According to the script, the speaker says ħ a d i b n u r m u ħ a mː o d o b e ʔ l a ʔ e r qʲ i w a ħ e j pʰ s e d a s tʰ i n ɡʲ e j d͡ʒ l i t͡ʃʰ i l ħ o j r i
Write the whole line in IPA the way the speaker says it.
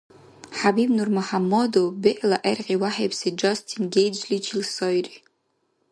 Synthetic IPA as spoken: ħ a b i b n u r m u ħ a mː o d o b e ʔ l a ʔ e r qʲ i w a ħ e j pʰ s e d͡ʒ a s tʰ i n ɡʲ e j d͡ʒ l i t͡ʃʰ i l s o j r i